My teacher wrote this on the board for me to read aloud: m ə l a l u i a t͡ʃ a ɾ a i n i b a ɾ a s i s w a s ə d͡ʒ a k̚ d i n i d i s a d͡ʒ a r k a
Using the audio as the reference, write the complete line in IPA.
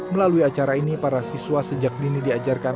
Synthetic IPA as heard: m ə l a l u i a t͡ʃ a ɾ a i n i p a ɾ a s i s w a s ə d͡ʒ a k̚ d i n i d i a d͡ʒ a r k a